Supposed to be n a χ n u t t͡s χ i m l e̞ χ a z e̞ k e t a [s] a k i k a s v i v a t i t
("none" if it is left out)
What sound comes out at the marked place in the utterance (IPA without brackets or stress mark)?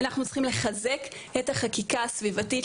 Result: χ